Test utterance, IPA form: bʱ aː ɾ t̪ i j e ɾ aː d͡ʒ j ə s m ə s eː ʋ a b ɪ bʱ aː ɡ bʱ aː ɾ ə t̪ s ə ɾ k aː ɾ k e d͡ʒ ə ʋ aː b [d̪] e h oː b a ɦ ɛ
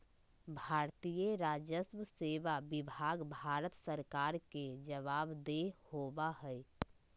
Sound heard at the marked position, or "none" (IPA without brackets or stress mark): d̪